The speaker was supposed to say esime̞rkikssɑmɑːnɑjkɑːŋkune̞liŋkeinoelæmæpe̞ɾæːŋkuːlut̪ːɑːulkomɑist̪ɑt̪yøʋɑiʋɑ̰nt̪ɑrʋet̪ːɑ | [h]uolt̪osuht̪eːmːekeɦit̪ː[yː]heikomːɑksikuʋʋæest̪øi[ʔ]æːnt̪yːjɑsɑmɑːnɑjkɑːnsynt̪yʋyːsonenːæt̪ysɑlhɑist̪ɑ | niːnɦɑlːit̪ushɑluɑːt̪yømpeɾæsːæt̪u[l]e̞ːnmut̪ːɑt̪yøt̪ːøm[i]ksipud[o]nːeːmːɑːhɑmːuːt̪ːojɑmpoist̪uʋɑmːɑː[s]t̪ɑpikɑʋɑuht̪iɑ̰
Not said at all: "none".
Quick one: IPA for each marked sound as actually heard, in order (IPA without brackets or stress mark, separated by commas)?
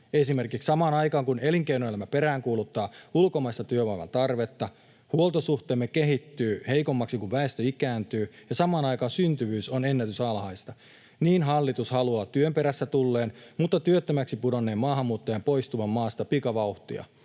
h, yː, k, lː, æ, o, s